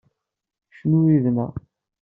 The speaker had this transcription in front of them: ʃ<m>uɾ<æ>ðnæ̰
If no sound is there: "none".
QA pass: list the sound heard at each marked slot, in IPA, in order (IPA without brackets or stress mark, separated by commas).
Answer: n, i